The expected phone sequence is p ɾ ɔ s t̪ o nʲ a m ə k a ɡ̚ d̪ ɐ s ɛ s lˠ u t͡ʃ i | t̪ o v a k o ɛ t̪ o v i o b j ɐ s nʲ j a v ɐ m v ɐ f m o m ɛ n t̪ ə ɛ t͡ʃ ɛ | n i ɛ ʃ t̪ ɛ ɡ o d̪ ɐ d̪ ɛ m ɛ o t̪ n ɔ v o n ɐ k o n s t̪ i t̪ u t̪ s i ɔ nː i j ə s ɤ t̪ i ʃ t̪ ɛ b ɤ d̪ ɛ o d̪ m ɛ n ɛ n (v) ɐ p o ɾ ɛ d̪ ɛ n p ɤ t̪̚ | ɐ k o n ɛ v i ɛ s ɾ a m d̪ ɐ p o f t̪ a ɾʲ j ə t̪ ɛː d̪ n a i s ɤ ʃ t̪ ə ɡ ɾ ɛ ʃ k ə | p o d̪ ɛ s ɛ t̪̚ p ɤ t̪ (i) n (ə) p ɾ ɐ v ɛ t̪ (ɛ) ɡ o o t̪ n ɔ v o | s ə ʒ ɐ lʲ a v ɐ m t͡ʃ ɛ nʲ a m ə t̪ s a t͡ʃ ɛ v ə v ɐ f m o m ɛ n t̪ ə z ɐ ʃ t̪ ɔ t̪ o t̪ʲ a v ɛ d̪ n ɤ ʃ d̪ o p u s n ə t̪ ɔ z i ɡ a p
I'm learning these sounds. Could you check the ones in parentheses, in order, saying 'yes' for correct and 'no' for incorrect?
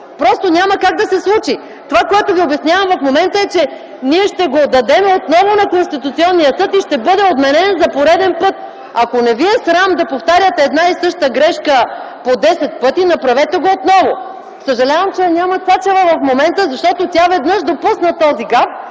no, yes, no, yes

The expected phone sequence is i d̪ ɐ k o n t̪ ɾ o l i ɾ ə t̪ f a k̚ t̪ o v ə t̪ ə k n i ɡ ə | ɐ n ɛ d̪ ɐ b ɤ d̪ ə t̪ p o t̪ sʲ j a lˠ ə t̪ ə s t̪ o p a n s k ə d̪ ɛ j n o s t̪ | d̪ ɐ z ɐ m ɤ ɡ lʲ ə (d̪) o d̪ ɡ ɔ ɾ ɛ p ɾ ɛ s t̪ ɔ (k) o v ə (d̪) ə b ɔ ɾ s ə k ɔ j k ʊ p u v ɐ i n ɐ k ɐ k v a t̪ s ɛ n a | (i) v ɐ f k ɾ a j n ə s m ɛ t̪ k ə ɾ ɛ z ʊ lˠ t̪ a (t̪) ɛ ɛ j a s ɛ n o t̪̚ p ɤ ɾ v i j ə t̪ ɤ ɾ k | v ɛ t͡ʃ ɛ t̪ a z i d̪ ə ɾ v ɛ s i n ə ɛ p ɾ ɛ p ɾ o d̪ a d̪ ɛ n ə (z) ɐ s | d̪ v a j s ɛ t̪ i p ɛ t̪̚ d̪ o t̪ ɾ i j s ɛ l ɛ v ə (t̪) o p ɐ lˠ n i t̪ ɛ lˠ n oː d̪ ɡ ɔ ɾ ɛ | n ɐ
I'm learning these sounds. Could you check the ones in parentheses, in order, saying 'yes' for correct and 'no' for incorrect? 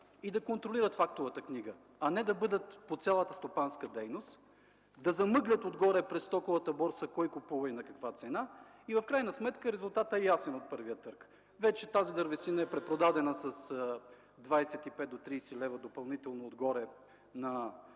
no, yes, no, yes, yes, no, no

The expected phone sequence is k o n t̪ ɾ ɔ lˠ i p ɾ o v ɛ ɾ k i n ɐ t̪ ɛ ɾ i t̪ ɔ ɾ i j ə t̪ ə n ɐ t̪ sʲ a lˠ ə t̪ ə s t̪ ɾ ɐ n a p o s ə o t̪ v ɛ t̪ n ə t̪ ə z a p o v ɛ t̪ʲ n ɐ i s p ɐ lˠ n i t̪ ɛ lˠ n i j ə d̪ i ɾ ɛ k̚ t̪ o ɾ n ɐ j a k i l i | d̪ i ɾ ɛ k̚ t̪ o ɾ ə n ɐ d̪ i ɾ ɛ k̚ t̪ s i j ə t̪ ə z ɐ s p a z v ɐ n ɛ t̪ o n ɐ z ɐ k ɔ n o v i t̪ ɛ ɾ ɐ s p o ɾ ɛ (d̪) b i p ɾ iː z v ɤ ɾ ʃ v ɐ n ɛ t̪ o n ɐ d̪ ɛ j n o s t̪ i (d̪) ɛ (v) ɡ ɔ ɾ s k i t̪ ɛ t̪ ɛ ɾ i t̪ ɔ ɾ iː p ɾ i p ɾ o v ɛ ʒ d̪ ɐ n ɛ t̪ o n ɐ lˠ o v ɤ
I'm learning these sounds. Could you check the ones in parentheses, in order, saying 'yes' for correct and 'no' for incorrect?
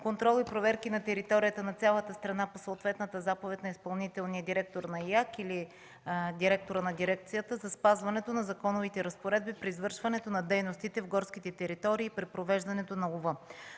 yes, no, yes

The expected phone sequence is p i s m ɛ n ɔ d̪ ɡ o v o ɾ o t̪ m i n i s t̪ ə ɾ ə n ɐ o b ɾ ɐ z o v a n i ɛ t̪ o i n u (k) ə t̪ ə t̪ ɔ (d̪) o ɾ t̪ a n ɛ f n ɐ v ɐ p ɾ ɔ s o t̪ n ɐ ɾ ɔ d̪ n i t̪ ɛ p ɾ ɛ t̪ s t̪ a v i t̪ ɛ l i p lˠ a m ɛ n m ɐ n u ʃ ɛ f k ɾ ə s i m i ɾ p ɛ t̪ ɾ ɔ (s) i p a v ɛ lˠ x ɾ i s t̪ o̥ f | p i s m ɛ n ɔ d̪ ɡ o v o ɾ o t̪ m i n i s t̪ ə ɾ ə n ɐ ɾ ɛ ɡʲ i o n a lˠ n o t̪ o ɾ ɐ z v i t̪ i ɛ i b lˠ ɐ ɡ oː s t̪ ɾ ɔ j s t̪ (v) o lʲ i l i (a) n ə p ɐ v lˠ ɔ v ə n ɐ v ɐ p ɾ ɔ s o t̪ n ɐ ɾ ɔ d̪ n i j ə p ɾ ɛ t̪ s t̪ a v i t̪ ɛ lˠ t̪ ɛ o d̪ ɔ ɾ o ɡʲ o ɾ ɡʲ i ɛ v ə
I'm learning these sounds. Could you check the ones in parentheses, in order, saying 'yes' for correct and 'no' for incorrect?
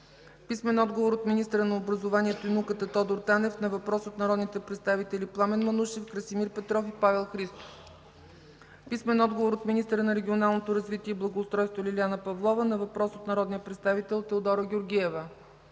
yes, yes, no, yes, yes

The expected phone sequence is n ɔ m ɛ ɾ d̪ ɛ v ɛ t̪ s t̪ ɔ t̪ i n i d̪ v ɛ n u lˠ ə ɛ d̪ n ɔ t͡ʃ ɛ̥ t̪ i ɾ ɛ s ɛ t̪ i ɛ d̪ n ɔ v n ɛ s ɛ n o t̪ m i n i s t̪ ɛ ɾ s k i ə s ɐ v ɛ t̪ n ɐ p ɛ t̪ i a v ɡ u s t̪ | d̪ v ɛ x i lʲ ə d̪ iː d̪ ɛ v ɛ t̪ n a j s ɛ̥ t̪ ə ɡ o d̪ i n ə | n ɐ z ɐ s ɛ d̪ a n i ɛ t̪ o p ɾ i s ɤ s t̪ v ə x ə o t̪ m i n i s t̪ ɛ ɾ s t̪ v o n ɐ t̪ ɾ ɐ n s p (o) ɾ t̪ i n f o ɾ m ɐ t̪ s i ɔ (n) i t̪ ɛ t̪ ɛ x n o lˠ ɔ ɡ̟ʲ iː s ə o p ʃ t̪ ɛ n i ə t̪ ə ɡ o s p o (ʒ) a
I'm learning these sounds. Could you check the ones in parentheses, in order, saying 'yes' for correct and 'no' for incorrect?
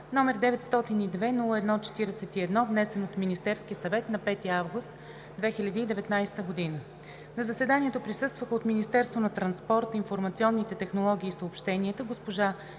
no, no, yes

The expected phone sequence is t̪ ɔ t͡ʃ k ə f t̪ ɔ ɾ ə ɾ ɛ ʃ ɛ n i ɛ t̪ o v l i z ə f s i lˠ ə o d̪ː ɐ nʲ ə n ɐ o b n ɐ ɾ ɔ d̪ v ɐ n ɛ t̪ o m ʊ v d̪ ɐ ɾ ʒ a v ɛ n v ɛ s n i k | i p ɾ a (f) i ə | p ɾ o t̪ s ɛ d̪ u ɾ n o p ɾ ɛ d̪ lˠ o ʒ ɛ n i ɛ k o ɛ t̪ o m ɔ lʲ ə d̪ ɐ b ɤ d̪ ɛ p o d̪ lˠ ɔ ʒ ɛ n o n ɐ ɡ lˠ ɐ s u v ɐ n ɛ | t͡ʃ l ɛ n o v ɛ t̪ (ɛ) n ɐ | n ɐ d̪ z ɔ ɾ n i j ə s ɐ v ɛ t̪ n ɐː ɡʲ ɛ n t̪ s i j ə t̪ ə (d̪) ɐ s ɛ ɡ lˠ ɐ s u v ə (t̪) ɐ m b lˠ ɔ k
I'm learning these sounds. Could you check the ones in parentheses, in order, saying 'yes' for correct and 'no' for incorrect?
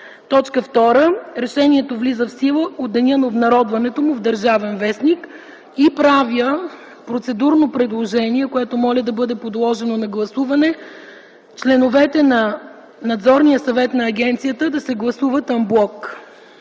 no, yes, yes, yes

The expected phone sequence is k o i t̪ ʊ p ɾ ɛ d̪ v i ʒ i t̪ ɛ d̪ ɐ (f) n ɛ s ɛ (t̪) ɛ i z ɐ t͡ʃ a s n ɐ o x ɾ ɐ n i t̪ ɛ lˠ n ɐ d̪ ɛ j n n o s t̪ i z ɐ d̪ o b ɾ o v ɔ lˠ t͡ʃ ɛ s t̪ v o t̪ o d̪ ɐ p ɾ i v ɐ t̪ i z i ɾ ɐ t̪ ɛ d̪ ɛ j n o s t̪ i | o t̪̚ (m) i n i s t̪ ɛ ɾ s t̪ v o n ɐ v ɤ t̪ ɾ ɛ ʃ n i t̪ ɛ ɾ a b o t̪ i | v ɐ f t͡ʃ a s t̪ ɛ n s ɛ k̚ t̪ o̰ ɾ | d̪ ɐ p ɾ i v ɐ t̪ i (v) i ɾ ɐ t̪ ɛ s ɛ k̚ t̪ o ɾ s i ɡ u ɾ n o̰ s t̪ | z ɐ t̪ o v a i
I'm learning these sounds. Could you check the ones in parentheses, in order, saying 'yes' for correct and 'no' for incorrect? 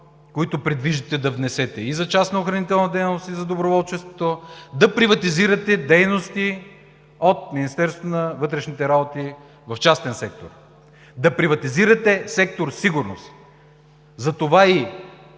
no, yes, yes, no

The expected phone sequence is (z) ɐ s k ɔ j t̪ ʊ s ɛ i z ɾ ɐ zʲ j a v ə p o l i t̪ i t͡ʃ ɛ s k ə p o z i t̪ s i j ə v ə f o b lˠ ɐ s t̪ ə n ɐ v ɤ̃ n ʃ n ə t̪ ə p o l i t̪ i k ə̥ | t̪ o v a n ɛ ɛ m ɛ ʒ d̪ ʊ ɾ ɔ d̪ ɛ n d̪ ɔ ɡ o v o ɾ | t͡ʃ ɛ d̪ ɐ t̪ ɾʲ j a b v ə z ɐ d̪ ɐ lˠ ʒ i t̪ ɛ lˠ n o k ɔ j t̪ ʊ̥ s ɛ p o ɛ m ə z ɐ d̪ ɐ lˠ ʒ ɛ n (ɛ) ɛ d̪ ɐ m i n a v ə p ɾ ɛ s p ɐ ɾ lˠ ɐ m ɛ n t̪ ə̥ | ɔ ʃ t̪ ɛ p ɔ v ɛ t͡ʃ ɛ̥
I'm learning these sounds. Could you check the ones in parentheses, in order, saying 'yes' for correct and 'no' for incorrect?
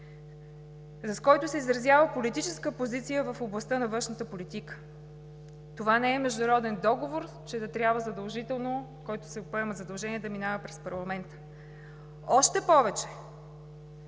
yes, no

